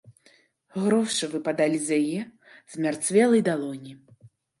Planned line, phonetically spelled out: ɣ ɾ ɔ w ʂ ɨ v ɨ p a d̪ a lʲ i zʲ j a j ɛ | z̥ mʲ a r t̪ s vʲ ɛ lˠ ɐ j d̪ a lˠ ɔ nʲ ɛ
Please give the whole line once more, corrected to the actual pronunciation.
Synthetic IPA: ɣ ɾ ɔ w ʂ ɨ v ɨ p a d̪ a lʲ i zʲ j a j ɛ | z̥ mʲ a r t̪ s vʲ ɛ lˠ ɐ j d̪ a lˠ ɔ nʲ i